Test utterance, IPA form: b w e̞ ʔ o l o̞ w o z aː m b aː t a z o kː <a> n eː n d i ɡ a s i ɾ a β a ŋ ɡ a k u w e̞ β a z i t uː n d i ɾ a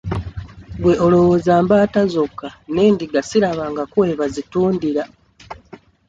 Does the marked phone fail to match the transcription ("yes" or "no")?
no